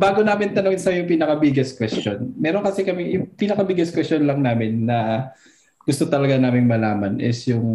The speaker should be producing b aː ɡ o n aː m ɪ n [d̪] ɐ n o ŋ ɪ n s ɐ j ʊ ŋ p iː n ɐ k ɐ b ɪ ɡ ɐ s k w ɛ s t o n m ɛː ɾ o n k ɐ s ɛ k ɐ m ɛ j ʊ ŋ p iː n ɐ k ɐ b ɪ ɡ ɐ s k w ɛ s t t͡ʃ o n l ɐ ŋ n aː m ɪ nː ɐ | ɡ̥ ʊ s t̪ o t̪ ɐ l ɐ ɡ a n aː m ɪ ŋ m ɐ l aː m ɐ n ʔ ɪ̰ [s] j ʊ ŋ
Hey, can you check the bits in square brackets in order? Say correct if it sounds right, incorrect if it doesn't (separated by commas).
incorrect, correct